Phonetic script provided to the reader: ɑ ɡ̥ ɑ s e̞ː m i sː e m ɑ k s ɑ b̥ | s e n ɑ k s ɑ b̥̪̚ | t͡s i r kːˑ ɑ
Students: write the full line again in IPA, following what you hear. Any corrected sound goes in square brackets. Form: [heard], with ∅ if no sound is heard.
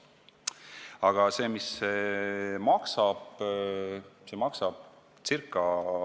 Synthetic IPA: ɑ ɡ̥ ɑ s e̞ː m i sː e m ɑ k s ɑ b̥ | s e [m] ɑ k s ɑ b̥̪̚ | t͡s i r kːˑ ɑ